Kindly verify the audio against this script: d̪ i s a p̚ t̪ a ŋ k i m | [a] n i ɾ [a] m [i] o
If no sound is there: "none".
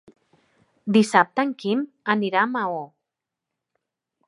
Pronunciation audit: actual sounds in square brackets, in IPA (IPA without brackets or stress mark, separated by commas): a, a, a